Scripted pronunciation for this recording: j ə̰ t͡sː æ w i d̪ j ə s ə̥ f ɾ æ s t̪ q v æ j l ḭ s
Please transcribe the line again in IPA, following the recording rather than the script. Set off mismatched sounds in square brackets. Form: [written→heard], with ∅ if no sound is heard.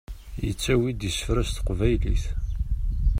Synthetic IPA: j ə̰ t͡sː æ w i d̪ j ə s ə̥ f ɾ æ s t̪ q v æ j l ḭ [s→θ]